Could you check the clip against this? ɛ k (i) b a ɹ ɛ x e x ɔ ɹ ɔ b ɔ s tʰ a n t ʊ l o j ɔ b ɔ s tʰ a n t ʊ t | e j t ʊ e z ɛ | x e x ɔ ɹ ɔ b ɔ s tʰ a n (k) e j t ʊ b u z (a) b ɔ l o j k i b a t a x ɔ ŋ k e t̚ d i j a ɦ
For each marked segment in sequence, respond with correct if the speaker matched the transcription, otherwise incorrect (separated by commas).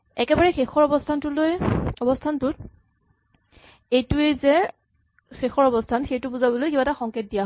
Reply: incorrect, incorrect, correct